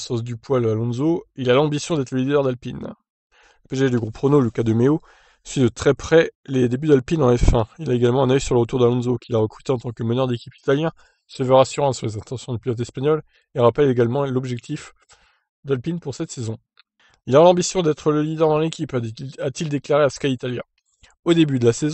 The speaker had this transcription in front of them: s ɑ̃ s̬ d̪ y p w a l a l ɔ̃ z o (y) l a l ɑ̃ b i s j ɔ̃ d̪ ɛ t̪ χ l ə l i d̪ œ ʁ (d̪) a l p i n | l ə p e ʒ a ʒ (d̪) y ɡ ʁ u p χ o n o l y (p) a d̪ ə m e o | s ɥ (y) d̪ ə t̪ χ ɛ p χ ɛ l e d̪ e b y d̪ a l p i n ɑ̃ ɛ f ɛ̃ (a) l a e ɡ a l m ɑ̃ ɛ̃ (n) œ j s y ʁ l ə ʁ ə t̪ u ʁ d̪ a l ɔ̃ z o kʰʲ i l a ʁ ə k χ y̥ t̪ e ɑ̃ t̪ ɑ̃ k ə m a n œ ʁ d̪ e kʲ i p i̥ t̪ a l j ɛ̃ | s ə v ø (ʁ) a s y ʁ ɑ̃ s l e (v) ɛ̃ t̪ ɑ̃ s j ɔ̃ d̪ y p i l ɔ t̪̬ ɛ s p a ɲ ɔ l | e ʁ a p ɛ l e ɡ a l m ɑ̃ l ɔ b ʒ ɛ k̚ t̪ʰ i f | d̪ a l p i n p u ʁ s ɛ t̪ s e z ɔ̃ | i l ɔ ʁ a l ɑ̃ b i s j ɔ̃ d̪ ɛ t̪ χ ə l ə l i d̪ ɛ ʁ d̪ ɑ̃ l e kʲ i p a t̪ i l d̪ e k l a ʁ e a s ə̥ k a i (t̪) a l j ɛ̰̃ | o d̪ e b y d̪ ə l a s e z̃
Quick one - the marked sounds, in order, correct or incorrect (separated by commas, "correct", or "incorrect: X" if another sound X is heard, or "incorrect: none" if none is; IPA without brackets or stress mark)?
incorrect: i, correct, correct, incorrect: k, incorrect: i, incorrect: i, correct, correct, incorrect: z, correct